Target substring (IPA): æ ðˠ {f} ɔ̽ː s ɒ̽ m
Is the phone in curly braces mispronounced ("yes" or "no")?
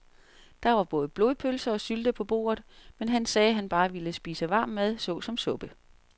yes